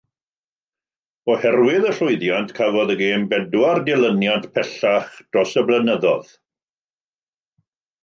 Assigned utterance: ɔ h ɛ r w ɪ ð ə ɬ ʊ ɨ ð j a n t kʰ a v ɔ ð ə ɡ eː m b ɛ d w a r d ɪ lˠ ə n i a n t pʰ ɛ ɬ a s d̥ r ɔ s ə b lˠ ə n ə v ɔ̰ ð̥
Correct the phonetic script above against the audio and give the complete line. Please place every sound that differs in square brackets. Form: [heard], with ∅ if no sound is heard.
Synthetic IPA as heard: ɔ h ɛ r w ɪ ð ə ɬ ʊ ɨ ð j a n t kʰ a v ɔ ð ə ɡ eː m b ɛ d w a r d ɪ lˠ ə n [j] a n t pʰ ɛ ɬ a [χ] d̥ r ɔ s ə b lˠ ə n ə [ð] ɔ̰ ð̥